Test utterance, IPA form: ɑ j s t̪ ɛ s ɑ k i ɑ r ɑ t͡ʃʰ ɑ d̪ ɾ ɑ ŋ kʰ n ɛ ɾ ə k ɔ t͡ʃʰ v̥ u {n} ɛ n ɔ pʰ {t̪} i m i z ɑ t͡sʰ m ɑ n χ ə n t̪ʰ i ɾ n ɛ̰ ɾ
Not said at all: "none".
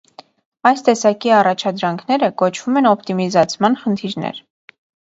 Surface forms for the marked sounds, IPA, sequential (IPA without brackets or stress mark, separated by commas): m, t̪